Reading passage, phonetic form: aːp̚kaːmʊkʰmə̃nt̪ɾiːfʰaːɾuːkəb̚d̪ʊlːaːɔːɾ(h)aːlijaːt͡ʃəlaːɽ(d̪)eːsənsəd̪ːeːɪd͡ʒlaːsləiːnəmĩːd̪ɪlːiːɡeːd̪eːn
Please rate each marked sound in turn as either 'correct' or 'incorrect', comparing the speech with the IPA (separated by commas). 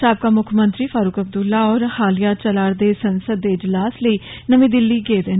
correct, correct